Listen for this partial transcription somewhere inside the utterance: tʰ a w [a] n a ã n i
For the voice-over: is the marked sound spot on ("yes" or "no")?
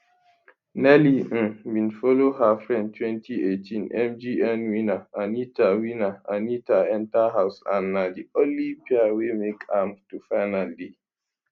no